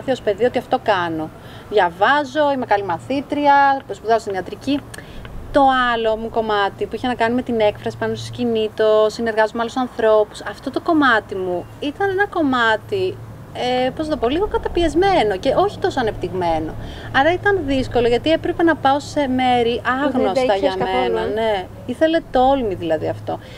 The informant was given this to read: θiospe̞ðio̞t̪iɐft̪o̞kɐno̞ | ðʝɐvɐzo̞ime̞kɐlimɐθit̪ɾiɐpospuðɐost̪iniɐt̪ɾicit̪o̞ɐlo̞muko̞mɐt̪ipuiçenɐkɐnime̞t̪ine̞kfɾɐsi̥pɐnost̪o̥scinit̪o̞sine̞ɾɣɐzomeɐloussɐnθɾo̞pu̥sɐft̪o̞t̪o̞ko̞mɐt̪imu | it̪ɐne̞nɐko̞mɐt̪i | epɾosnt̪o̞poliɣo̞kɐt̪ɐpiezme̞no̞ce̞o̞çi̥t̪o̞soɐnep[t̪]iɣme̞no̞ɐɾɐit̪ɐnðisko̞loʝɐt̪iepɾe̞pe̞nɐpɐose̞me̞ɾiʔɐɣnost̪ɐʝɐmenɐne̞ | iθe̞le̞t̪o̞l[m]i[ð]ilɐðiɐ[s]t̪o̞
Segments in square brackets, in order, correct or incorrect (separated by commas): correct, correct, correct, incorrect